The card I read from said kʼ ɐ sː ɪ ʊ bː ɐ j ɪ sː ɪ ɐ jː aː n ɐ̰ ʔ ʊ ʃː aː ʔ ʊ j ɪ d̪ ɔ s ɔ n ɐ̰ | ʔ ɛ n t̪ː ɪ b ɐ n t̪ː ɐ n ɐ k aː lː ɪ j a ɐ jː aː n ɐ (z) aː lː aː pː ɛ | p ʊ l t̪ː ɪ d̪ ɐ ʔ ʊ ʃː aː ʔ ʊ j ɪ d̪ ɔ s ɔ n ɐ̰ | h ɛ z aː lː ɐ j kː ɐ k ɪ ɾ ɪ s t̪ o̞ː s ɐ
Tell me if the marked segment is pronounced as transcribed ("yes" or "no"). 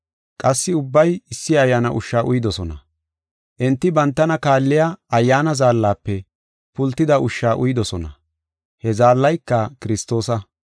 yes